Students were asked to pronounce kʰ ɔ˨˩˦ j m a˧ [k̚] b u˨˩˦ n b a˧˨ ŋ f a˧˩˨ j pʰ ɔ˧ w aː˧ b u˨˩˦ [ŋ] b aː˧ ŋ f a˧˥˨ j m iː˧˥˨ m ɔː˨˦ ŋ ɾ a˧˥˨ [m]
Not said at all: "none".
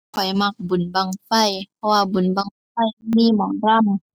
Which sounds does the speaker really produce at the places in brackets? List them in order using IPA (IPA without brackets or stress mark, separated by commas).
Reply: k̚, n, m